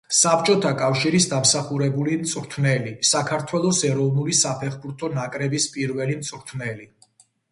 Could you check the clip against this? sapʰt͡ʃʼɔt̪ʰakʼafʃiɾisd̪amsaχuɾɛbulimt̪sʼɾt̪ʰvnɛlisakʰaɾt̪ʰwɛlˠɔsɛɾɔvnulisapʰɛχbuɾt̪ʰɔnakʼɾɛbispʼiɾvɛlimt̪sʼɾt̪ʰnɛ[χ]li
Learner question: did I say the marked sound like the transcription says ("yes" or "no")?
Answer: no